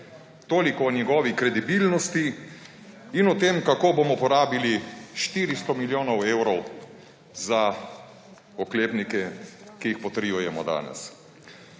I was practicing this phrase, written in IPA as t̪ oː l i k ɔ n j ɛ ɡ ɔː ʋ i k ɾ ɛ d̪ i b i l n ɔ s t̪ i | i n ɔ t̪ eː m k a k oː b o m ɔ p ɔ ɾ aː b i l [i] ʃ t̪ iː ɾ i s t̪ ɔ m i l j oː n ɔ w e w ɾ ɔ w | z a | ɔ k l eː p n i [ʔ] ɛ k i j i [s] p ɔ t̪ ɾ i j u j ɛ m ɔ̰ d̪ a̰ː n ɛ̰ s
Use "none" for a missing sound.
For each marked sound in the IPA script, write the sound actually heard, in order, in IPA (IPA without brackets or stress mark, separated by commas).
i, k, x